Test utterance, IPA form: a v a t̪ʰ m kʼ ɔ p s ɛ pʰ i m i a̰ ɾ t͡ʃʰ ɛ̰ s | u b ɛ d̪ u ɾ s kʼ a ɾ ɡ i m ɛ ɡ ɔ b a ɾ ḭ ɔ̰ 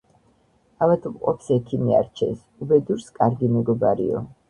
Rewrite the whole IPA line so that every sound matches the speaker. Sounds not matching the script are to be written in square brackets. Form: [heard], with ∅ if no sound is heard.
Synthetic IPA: a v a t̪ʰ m [qʼ] ɔ p s ɛ [kʰ] i m i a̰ ɾ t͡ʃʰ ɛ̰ s | u b ɛ d̪ u ɾ s kʼ a ɾ ɡ i m ɛ ɡ ɔ b a ɾ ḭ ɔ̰